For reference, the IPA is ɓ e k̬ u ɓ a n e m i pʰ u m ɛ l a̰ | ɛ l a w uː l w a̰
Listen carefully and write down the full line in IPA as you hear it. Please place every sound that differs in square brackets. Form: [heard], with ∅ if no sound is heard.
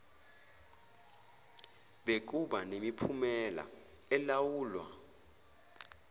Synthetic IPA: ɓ e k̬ u ɓ a n e m i pʰ u m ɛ l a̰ | ɛ l a w uː l w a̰